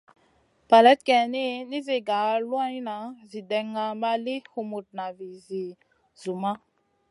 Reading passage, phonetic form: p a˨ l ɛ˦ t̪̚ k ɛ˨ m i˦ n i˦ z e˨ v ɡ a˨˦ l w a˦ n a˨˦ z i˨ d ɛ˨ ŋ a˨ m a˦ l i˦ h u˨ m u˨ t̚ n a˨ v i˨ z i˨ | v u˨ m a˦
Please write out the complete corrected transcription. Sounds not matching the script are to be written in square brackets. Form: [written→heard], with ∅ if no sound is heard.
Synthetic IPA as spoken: p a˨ l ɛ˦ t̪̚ k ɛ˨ [m→n] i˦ n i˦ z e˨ [v→∅] ɡ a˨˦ l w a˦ n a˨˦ z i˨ d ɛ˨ ŋ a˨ m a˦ l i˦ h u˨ m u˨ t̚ n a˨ v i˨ z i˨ | [v→z] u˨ m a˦